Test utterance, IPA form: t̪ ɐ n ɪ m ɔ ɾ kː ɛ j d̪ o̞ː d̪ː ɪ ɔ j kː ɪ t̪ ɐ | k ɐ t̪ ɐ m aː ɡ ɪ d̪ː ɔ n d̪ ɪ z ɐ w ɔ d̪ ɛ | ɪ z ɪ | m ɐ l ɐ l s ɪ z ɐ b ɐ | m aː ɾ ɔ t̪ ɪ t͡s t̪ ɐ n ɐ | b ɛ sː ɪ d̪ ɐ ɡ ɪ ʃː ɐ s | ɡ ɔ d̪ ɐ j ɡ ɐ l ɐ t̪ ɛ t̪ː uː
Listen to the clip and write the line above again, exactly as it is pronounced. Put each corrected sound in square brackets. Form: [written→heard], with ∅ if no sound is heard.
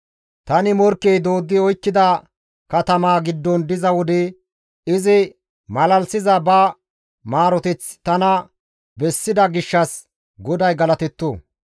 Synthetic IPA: t̪ ɐ n ɪ m ɔ ɾ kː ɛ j d̪ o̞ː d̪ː ɪ ɔ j kː ɪ [t̪→d̪] ɐ | k ɐ t̪ ɐ m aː ɡ ɪ d̪ː ɔ n d̪ ɪ z ɐ w ɔ d̪ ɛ | ɪ z ɪ | m ɐ l ɐ l s ɪ z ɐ b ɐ | m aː ɾ ɔ t̪ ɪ t͡s t̪ ɐ n ɐ | b ɛ sː ɪ d̪ ɐ ɡ ɪ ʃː ɐ s | ɡ ɔ d̪ ɐ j ɡ ɐ l ɐ t̪ ɛ t̪ː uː